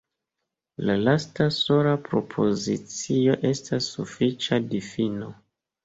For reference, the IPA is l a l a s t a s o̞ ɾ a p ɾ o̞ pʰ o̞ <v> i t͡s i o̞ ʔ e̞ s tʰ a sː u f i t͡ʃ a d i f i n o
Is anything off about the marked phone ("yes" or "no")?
yes